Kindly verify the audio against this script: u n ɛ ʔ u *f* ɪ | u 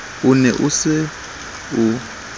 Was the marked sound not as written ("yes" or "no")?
yes